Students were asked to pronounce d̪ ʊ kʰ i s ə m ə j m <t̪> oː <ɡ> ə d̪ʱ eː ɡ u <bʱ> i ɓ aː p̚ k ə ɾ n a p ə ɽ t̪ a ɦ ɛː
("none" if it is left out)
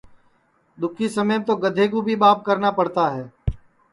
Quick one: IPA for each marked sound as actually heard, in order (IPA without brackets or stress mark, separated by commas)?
t̪, ɡ, bʱ